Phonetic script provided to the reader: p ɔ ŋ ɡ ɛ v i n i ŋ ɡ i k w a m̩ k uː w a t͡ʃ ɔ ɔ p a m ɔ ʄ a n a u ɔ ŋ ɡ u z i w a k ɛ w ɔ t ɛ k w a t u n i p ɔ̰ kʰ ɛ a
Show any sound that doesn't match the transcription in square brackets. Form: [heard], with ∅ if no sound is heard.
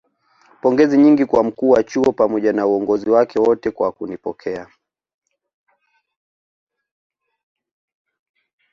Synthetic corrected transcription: p ɔ ŋ ɡ ɛ [z] i [ɲ] i ŋ ɡ i k w a m̩ k uː w a t͡ʃ [u] ɔ p a m ɔ ʄ a n a u ɔ ŋ ɡ [ɔ] z i w a k ɛ w ɔ t ɛ k w a [k] u n i p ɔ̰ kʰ ɛ a